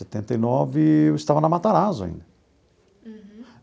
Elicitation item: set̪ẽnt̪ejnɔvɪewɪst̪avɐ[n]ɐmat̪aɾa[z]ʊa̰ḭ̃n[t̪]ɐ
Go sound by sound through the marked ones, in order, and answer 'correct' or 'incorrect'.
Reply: correct, correct, incorrect: d̪

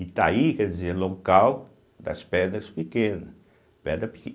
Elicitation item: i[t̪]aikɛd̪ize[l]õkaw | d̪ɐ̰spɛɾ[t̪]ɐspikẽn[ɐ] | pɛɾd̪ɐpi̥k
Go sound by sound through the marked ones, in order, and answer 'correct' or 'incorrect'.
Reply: correct, correct, incorrect: d̪, correct

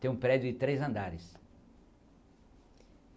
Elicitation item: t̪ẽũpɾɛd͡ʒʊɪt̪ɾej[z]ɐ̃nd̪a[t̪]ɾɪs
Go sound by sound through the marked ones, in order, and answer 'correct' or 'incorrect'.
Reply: correct, incorrect: none

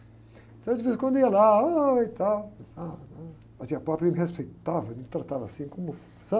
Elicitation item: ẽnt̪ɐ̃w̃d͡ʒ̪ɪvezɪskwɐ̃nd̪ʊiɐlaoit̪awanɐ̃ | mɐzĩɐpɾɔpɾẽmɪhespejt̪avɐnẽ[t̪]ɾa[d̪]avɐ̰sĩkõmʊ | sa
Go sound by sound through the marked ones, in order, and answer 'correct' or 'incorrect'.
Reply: correct, incorrect: t̪

